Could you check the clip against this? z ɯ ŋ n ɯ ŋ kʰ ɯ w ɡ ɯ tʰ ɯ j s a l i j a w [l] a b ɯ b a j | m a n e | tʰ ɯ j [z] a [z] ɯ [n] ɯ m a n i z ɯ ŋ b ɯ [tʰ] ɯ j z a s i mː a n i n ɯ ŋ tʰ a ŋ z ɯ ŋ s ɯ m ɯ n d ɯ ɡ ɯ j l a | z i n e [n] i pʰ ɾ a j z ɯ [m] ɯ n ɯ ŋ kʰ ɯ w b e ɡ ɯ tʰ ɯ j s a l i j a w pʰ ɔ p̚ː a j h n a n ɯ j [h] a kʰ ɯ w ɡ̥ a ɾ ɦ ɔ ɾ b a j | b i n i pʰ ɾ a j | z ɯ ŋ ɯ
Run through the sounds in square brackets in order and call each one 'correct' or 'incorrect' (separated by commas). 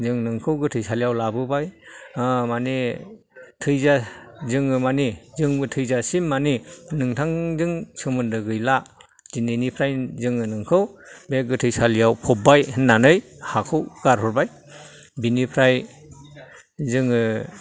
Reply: correct, correct, correct, incorrect, correct, correct, incorrect, correct